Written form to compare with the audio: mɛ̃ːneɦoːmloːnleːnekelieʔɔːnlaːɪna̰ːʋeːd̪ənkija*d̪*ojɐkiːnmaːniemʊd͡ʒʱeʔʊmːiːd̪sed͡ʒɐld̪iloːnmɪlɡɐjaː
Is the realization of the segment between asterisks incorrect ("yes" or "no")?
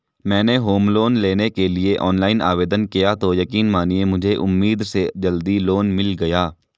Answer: yes